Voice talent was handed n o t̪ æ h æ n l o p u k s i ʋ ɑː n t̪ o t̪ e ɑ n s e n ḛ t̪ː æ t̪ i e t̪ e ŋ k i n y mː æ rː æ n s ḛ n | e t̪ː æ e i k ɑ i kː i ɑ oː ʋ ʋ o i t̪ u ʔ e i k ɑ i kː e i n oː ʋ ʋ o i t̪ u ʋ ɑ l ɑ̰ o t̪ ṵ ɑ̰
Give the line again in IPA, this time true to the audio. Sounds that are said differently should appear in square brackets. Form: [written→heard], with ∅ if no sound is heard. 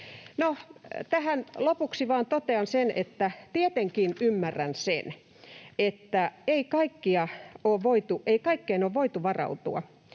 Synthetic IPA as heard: n o t̪ æ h æ n l o p u k s i ʋ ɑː n t̪ o t̪ e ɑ n s e n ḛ t̪ː æ t̪ i e t̪ e ŋ k i n y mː æ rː æ n s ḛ n | e t̪ː æ e i k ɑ i kː i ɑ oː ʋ ʋ o i t̪ u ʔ e i k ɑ i kː e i n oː ʋ ʋ o i t̪ u ʋ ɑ [l→r] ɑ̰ [o→u] t̪ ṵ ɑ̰